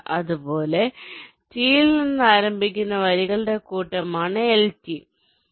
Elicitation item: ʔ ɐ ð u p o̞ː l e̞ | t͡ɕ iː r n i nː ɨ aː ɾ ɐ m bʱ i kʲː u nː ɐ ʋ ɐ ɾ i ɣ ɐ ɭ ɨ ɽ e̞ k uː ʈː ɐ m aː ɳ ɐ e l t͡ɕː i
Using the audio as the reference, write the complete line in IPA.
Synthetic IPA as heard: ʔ ɐ ð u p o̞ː l e̞ | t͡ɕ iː l n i nː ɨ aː ɾ ɐ m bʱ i kʲː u nː ɐ ʋ ɐ ɾ i ɣ ɐ ɭ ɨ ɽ e̞ k uː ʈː ɐ m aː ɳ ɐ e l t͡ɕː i